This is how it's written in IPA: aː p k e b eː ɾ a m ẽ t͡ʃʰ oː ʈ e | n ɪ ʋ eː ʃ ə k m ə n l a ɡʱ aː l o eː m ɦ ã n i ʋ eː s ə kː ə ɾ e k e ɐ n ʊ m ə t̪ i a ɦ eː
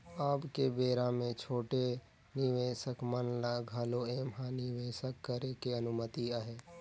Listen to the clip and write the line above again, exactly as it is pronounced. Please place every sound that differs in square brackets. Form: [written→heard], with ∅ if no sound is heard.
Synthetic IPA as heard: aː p k e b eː ɾ a m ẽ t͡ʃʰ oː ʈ e | n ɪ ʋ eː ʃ ə k m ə n l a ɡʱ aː l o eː m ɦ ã n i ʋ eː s ə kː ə ɾ e k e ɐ n ʊ m ə t̪ i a ɦ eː